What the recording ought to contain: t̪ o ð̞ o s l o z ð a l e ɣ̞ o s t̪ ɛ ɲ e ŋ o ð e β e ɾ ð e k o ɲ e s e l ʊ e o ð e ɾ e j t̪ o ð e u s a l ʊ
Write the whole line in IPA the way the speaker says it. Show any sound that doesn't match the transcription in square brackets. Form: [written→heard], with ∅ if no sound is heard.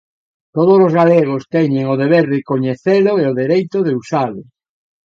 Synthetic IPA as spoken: t̪ o ð̞ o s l o z [ð→ɣ] a l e ɣ̞ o s t̪ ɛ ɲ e ŋ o ð e β e ɾ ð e k o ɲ e [s→θ] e l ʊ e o ð e ɾ e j t̪ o ð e u s a l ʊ